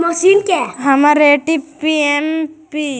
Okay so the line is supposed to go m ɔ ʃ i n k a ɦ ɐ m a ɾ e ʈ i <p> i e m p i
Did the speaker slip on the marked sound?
no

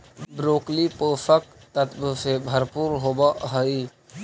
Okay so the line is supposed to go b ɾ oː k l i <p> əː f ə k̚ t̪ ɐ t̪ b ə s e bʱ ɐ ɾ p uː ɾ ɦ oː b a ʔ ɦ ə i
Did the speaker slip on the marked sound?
no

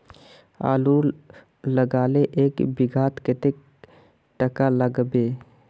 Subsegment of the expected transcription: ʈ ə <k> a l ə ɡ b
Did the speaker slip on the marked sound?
no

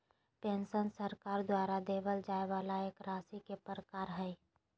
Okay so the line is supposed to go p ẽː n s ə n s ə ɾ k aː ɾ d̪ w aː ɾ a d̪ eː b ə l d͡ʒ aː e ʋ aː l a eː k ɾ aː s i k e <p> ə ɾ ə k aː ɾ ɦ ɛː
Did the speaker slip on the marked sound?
no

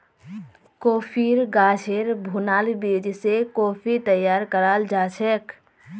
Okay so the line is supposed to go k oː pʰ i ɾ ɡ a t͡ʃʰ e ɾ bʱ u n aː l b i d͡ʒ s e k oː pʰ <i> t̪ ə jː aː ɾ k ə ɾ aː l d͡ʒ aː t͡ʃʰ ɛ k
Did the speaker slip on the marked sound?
no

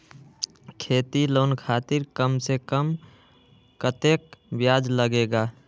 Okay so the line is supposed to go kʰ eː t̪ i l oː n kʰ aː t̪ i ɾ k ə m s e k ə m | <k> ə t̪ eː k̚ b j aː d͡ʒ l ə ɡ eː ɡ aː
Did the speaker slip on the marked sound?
no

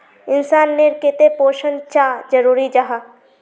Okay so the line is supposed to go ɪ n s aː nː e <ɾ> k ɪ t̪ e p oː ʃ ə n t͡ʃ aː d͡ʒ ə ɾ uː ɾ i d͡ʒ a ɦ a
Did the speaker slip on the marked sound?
no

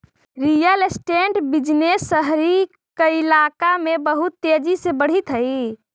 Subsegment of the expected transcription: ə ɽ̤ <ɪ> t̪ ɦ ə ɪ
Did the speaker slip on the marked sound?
yes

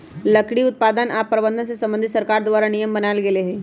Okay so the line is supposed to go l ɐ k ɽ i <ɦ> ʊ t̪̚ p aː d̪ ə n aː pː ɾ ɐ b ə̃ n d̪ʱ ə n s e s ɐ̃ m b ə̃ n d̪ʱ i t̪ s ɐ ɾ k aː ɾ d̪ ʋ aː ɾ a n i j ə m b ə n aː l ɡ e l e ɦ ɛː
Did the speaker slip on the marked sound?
yes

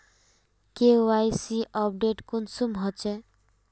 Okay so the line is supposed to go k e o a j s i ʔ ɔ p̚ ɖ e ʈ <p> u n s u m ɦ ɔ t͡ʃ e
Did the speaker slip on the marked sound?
yes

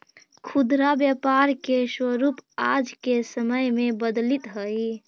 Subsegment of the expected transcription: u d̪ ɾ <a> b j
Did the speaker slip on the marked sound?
no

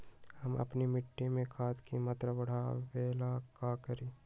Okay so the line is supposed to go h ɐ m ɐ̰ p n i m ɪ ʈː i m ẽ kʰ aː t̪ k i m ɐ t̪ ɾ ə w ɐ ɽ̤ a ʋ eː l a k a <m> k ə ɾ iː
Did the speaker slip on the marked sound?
yes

